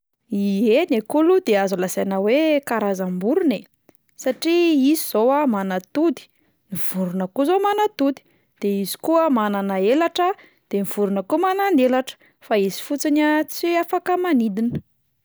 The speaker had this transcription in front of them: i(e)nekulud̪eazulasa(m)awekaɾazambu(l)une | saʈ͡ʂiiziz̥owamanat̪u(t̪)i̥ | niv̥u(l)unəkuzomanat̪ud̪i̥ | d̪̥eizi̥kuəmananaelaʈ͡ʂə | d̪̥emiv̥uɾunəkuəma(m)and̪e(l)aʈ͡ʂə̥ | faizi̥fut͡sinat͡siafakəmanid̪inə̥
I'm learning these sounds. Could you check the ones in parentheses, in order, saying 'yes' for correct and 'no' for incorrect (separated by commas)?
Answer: yes, no, no, no, no, no, yes